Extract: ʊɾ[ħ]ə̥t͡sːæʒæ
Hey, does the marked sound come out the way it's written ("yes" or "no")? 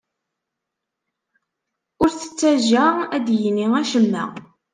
no